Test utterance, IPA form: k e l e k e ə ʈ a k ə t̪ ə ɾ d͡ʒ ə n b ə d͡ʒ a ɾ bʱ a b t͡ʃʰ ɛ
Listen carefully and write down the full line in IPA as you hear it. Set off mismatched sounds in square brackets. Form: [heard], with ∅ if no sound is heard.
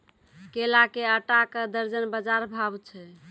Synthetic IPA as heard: k e l [a] k e ə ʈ a k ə [d̪] ə ɾ d͡ʒ ə n b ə d͡ʒ a ɾ bʱ a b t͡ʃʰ ɛ